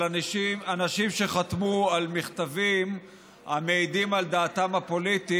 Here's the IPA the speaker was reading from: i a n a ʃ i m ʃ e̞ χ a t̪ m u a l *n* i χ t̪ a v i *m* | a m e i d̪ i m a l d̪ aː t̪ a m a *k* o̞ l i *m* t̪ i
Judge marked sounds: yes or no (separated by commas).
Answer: no, yes, no, no